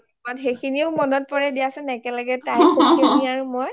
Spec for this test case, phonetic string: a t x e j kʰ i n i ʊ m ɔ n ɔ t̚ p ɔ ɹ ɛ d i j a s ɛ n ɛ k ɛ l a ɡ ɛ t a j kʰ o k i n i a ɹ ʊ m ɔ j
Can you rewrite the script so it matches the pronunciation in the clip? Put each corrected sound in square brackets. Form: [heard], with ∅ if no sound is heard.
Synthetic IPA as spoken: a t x e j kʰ i n i ʊ m ɔ n ɔ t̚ p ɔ ɹ ɛ d i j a s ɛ n ɛ k ɛ l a ɡ ɛ t a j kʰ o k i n i a ɹ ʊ m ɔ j